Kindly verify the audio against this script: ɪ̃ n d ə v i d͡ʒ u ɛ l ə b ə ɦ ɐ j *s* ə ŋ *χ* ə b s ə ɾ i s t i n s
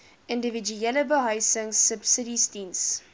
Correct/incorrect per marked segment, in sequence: correct, incorrect: s

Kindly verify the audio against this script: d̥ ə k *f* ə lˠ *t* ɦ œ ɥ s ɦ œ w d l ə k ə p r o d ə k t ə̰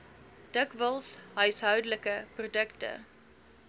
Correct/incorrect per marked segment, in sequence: incorrect: v, incorrect: s

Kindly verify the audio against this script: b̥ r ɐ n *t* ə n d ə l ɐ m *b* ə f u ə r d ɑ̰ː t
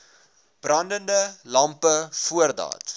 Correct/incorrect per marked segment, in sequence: incorrect: d, incorrect: p

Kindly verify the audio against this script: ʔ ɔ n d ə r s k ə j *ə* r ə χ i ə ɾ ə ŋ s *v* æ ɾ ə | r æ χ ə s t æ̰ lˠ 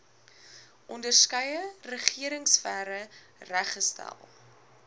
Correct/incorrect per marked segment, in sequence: correct, incorrect: f

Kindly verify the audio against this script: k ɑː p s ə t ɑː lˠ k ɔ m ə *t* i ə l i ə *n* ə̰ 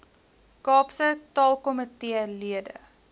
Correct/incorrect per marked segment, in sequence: correct, incorrect: d

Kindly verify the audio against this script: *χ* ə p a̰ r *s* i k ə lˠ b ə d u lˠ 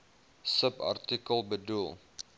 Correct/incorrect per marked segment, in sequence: incorrect: s, incorrect: t

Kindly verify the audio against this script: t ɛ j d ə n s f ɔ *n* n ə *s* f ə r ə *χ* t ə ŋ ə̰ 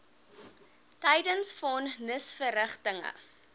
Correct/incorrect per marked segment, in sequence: correct, correct, correct

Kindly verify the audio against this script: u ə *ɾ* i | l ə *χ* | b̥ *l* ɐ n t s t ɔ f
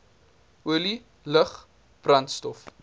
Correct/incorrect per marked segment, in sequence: incorrect: l, correct, incorrect: r

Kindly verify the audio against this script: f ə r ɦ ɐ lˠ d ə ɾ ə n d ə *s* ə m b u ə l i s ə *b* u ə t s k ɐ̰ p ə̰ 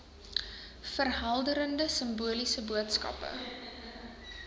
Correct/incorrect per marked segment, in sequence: correct, correct

